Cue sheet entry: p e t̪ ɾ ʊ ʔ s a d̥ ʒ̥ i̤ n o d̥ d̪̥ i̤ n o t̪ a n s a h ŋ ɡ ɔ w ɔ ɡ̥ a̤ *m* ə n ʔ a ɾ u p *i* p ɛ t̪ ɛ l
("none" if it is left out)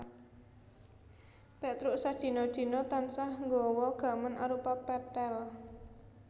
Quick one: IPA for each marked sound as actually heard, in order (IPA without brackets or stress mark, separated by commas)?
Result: m, a